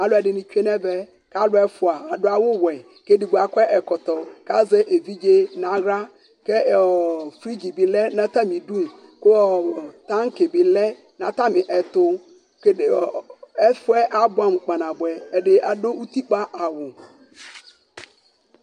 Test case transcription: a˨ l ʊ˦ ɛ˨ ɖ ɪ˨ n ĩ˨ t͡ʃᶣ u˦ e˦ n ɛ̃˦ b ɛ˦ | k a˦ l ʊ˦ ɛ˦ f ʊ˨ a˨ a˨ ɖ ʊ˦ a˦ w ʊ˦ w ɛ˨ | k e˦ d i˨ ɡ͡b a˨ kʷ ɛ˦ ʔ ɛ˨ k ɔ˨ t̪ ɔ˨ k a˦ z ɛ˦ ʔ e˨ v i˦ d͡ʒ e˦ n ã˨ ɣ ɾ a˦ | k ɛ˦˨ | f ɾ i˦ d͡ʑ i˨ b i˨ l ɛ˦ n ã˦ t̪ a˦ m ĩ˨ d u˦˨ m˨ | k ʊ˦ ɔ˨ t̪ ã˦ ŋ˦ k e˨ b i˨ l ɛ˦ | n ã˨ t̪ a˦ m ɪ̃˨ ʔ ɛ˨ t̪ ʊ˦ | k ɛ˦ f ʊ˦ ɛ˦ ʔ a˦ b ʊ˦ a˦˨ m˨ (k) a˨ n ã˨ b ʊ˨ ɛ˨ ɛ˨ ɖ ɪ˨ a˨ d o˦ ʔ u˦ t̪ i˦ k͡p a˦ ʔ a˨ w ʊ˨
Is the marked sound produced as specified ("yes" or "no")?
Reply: no